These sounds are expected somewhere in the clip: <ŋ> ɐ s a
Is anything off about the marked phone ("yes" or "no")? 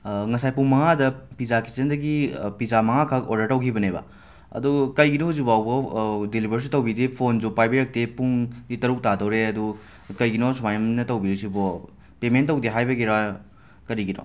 no